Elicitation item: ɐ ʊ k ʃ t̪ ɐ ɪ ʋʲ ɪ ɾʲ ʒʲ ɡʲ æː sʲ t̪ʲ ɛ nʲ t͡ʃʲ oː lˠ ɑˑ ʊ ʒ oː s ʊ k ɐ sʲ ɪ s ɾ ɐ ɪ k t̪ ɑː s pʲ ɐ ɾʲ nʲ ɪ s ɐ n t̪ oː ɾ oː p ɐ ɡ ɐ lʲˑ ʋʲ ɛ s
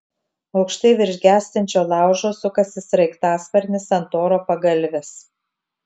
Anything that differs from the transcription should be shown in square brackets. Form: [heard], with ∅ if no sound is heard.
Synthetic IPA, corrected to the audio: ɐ ʊ k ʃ t̪ ɐ ɪ ʋʲ ɪ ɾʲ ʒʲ ɡʲ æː sʲ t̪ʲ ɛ nʲ t͡ʃʲ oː lˠ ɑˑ ʊ ʒ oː s ʊ k ɐ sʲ ɪ s ɾ ɐ ɪ k t̪ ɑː s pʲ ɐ ɾʲ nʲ ɪ s ɐ n t̪ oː ɾ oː p ɐ ɡ ɐ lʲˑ ʋʲ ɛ s